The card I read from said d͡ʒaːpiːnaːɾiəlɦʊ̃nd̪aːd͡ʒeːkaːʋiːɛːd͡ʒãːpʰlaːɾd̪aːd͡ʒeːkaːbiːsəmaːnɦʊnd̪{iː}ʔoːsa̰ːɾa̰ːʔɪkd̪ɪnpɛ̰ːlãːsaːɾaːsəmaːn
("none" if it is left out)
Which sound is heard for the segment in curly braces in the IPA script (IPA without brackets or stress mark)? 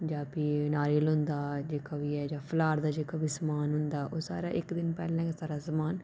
aː